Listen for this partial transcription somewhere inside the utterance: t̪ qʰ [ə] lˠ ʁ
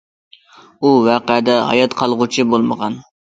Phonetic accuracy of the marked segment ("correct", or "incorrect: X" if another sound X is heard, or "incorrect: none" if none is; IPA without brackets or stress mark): incorrect: ɑ